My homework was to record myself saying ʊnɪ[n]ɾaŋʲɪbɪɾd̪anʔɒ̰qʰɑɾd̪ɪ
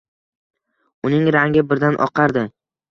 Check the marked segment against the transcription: incorrect: ŋ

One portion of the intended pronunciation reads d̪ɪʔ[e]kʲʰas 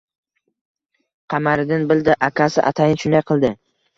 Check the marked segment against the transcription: incorrect: a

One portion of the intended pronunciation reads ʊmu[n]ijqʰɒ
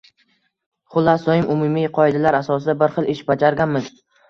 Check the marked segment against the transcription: incorrect: m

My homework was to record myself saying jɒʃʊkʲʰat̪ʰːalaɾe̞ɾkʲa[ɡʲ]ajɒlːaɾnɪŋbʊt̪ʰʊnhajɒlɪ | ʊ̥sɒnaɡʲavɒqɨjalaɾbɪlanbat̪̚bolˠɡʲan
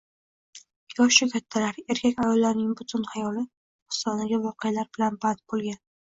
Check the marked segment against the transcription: incorrect: kʲ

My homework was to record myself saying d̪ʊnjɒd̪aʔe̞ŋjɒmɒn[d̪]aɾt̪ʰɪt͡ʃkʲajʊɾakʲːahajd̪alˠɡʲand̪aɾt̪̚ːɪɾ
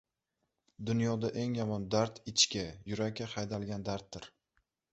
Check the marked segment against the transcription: correct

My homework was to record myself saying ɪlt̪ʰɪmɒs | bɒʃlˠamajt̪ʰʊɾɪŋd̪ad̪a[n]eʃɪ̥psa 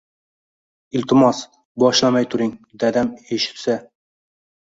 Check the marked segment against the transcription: incorrect: m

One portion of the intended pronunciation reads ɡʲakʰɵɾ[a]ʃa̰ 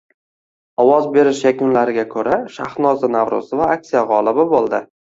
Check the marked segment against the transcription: correct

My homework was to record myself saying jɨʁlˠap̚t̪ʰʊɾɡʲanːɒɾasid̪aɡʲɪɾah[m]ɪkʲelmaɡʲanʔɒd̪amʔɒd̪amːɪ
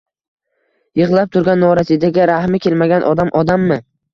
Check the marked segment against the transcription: correct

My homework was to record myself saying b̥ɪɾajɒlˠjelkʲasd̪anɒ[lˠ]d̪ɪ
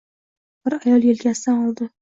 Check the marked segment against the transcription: correct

